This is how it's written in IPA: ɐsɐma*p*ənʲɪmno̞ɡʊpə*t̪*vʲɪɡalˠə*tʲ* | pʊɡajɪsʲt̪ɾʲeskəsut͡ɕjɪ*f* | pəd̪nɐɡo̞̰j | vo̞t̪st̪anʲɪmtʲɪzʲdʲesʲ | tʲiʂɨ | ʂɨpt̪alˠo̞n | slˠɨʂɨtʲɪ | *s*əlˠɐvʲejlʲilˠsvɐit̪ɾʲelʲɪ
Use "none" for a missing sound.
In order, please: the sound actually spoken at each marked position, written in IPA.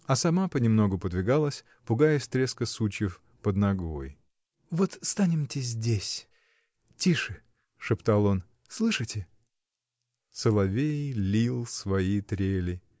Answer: p, d̪, sʲ, f, s

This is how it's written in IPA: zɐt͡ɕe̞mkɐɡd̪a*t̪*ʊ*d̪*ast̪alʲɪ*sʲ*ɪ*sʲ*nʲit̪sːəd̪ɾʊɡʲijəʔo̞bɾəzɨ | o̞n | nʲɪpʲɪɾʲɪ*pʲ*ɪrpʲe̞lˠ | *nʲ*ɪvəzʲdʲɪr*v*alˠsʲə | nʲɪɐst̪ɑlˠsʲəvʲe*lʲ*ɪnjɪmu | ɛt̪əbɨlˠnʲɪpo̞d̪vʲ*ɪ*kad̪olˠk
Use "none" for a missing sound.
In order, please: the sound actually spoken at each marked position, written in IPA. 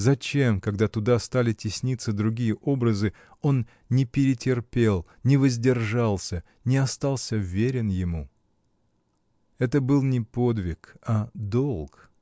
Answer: t̪, d̪, tʲ, sʲ, tʲ, nʲ, ʐ, ɾʲ, ɪ

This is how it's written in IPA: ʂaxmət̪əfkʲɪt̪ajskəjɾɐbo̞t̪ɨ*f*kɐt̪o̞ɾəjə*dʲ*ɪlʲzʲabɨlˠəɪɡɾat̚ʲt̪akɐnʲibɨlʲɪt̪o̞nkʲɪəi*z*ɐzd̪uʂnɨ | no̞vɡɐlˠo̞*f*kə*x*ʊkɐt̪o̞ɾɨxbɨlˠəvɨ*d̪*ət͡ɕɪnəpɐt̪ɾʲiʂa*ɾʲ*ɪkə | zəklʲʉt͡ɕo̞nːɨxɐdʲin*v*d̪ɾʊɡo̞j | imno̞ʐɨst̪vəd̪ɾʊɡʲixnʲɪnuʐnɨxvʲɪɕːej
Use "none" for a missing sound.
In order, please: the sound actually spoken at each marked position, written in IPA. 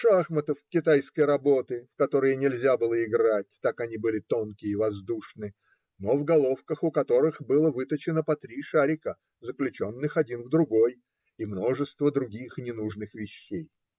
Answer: f, nʲ, v, f, x, t̪, ɾʲ, v

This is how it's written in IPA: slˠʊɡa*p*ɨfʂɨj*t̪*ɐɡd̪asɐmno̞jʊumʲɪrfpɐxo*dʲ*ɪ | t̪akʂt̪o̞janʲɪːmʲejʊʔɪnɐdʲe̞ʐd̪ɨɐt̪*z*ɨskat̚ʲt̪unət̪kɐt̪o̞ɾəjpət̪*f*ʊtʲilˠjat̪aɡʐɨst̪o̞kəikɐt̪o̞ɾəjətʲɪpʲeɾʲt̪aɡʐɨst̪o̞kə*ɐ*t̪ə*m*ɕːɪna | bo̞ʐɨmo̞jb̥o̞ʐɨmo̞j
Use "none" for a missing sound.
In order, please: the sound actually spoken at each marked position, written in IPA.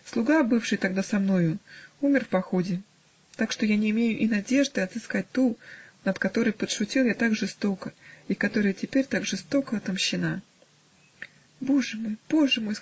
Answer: b, t̪, dʲ, z, ʂ, ɐ, m

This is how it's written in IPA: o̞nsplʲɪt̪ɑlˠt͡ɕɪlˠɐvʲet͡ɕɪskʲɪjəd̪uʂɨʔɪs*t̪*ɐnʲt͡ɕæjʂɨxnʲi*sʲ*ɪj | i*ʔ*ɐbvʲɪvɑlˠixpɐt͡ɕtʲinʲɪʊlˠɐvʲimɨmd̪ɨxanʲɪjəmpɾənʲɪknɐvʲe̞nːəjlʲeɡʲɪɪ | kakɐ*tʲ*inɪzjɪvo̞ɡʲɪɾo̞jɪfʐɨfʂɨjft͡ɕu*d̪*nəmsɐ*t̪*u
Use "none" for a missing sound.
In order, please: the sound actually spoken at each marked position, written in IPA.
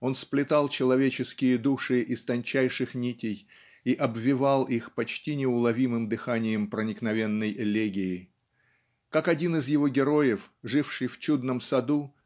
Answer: t̪, tʲ, ʔ, dʲ, d̪, d̪

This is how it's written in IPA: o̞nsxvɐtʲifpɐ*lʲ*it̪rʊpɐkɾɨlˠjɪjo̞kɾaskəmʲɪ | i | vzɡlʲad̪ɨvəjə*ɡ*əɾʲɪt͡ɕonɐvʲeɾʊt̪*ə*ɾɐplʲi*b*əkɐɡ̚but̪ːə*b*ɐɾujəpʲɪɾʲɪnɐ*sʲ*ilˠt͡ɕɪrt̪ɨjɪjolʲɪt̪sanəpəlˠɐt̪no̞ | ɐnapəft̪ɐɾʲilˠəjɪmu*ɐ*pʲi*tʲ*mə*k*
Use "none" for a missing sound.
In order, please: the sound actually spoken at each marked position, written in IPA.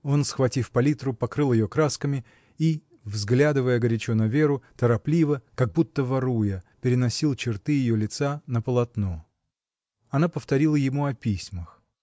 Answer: lʲ, ɡ, ə, v, v, sʲ, ɐ, sʲ, x

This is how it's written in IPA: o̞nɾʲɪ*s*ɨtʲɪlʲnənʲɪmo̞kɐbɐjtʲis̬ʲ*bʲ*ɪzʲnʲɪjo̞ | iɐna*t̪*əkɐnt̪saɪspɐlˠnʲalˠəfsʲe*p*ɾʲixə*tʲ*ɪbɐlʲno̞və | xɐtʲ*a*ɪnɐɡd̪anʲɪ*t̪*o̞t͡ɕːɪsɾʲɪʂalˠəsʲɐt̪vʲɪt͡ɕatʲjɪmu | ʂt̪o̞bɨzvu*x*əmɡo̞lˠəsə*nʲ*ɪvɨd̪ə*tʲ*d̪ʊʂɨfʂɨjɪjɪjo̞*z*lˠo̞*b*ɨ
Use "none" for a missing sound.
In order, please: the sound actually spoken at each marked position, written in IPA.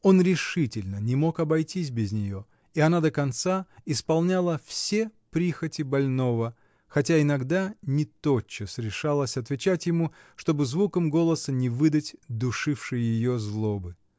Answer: ʂ, bʲ, d̪, p, tʲ, a, t̪, k, nʲ, tʲ, z, b

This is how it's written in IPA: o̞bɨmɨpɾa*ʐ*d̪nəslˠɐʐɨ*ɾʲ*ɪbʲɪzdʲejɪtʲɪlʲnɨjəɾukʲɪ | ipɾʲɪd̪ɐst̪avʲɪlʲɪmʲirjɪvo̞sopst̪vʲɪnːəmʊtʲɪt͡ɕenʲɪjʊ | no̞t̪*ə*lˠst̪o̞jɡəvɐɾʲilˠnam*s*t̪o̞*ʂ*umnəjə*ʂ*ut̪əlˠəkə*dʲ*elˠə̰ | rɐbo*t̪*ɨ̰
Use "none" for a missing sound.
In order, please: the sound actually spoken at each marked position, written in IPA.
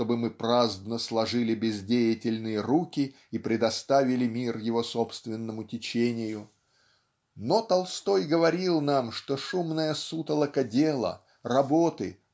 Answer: z, lʲ, ɐ, ʂ, ʂ, s, dʲ, t̪

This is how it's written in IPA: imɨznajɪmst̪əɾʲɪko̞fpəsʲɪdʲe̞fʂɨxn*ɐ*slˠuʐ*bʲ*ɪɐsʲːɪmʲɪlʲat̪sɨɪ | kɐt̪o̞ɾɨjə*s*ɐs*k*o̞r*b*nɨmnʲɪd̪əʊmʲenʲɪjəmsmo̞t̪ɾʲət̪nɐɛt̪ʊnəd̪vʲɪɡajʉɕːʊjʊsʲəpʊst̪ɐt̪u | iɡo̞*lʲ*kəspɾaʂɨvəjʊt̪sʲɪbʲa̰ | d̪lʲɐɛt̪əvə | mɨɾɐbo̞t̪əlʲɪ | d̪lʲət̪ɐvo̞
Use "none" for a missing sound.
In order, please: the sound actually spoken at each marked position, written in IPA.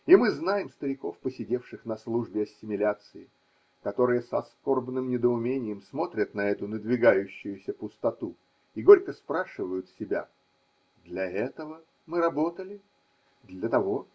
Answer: ɐ, bʲ, s, k, b, ɾʲ

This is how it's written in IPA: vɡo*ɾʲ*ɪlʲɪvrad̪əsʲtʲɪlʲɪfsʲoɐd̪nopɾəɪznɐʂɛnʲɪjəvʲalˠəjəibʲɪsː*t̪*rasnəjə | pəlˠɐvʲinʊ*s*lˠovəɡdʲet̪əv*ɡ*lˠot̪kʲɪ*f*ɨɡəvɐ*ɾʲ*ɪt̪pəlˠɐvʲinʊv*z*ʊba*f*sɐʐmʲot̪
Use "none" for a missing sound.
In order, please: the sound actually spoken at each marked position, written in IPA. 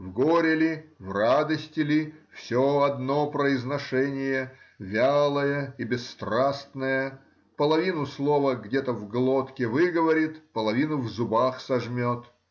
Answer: ɾʲ, t̪, s, ɡ, v, ɾʲ, z, x

